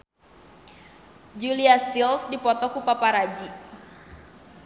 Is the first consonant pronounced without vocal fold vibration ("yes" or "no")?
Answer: no